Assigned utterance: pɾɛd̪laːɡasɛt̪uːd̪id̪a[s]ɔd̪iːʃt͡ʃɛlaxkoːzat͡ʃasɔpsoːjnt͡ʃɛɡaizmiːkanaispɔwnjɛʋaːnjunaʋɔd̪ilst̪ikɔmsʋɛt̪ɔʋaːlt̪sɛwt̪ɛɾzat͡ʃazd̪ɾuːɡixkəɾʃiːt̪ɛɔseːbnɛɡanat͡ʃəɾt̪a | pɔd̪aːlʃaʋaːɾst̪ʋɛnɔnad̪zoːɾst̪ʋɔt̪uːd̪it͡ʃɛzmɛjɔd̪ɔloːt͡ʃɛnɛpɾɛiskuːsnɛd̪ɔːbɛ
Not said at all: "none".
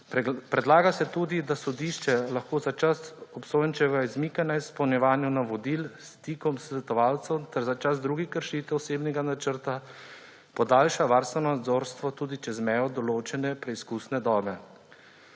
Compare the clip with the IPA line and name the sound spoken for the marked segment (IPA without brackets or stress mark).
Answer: s